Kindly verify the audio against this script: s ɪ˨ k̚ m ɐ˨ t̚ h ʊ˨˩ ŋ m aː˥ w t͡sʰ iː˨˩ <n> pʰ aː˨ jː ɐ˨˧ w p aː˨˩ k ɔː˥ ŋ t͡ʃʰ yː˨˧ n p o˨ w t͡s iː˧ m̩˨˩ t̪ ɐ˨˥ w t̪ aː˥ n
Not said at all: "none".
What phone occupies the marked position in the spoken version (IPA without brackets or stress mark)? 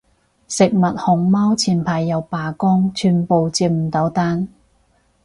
n